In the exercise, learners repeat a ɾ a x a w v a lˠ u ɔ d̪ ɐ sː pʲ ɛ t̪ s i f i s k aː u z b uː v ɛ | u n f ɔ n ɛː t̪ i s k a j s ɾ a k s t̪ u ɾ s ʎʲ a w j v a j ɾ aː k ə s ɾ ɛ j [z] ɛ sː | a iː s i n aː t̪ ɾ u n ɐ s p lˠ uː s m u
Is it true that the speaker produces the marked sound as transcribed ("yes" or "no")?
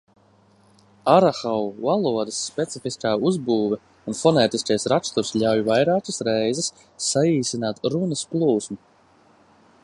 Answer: yes